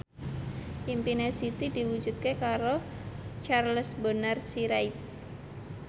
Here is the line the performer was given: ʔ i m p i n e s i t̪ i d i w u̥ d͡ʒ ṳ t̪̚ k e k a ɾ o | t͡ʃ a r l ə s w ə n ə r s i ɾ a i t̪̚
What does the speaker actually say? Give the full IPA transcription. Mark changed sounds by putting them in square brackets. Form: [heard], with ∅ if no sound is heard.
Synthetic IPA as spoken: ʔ i m p i n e s i t̪ i d i w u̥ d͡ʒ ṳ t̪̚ k e k a ɾ o | t͡ʃ a r l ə s [b] ə n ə r s i ɾ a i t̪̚

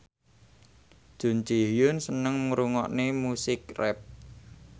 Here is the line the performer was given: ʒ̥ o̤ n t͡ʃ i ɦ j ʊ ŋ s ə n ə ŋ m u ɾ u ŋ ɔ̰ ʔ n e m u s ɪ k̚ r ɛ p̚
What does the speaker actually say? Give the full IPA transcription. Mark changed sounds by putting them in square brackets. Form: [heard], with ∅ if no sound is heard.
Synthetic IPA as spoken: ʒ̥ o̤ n t͡ʃ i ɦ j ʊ [n] s ə n ə ŋ m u ɾ u ŋ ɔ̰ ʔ n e m u s ɪ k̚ r ɛ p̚

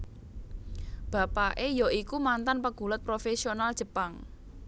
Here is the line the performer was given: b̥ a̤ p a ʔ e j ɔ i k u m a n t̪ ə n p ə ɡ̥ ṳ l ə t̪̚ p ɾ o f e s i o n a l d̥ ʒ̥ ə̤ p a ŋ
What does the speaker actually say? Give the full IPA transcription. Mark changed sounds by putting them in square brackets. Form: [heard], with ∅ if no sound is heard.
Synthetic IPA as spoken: b̥ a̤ p a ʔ e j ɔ i k u m a n t̪ [a] n p ə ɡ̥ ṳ l ə t̪̚ p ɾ o f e s i o n a l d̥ ʒ̥ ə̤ p a ŋ

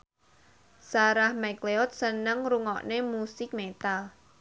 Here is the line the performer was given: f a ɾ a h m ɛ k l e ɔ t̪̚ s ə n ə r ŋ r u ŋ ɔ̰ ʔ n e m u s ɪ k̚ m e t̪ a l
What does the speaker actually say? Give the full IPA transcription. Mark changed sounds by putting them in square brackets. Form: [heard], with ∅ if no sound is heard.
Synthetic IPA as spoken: [s] a ɾ a h m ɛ k l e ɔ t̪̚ s ə n ə [∅] ŋ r u ŋ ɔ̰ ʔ n e m u s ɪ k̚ m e t̪ a l

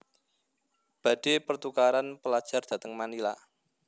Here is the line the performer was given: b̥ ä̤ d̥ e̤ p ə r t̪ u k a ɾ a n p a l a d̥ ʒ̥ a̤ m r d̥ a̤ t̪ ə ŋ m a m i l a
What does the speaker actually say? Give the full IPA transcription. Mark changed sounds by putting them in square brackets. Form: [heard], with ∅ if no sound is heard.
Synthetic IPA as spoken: b̥ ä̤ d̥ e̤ p ə r t̪ u k a ɾ a n p [ə] l a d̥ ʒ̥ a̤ [∅] r d̥ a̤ t̪ ə ŋ m a [n] i l a

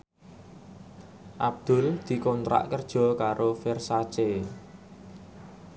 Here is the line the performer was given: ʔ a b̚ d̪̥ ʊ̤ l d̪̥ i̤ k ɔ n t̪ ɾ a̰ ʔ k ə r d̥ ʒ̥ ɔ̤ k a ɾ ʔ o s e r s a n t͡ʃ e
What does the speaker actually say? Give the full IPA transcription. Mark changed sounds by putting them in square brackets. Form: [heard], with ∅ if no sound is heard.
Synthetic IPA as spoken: ʔ a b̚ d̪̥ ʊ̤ l d̪̥ i̤ k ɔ n t̪ ɾ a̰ ʔ k ə r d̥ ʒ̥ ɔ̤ k a ɾ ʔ o [f] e r s a [∅] t͡ʃ e

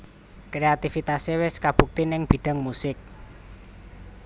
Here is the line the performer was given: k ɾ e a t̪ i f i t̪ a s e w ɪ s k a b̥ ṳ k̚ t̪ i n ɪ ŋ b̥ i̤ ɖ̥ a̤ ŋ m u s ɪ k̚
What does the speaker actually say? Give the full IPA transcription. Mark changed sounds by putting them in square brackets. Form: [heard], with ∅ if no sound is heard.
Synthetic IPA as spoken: k ɾ e a t̪ i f i t̪ a s e w ɪ s k a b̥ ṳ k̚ t̪ i n ɪ ŋ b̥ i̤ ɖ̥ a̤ ŋ m u s ɪ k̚

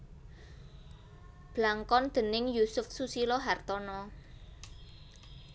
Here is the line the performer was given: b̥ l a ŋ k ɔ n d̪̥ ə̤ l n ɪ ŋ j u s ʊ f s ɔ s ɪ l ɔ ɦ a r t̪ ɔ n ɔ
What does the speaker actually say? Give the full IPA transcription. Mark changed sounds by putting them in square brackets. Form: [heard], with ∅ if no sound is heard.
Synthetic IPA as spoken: b̥ l a ŋ k ɔ n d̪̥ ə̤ [∅] n ɪ ŋ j u s ʊ f s [u] s [i] l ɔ ɦ a r t̪ ɔ n ɔ

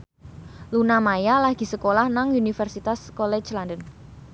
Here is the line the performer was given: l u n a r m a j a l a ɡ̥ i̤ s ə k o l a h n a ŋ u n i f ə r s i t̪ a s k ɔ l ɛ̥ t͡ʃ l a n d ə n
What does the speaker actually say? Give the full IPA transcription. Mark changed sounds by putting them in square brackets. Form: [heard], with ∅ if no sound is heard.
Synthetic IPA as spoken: l u n a [∅] m a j a l a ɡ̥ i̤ s ə k o l a h n a ŋ u n i f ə r s i t̪ a s k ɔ l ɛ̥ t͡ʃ l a n d ə n

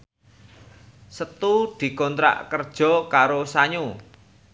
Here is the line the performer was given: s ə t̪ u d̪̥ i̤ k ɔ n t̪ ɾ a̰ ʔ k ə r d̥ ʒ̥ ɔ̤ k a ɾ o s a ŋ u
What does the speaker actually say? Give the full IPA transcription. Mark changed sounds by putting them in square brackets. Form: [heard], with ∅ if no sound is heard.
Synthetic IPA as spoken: s ə t̪ u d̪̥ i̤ k ɔ n t̪ ɾ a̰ ʔ k ə r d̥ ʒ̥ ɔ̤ k a ɾ o s a [ɲ] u

